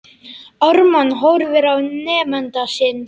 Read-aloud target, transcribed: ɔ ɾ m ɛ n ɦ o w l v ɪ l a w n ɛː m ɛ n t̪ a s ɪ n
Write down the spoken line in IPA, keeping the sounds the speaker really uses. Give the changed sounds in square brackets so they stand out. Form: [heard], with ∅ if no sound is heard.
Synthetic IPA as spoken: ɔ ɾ m [a] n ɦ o w [ɾ] v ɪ [ɾ] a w n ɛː m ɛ n t̪ a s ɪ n